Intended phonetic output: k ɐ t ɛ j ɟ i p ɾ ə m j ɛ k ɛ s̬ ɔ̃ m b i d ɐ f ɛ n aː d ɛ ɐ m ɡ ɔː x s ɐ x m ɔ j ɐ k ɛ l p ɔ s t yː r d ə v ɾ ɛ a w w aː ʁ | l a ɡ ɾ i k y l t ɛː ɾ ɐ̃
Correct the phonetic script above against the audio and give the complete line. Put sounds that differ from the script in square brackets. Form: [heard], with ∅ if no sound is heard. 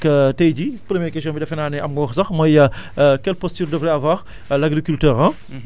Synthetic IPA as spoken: k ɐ t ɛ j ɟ i p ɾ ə m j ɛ k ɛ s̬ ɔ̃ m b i d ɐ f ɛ n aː [n] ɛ ɐ m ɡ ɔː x s ɐ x m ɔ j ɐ k ɛ l p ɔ s t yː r d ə v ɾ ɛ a [v] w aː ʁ | l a ɡ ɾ i k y l t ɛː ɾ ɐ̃